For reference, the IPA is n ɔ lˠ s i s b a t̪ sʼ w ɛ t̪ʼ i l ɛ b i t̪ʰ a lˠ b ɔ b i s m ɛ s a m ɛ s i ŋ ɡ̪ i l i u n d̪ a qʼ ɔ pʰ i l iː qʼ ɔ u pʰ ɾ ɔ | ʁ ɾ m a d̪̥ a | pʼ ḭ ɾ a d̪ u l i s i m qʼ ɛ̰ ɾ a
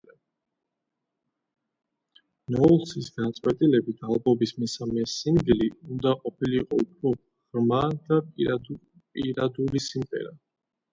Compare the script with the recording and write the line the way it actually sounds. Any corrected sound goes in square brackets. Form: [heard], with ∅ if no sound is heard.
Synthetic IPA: n ɔ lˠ s i s [ɡ] a t̪ sʼ w ɛ t̪ʼ i l ɛ b i t̪ʰ a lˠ b ɔ b i s m ɛ s a m ɛ s i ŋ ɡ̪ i l i u n d̪ a qʼ ɔ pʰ i l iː qʼ ɔ u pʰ ɾ ɔ | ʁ ɾ m a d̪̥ a | pʼ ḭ ɾ a d̪ u l i s i m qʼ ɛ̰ ɾ a